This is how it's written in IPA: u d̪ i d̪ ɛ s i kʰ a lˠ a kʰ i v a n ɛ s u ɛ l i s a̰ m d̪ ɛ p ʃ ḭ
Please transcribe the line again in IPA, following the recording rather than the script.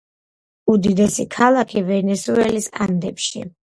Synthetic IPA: u d̪ i d̪ ɛ s i kʰ a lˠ a kʰ i v ɛ n ɛ s u ɛ l i s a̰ n d̪ ɛ p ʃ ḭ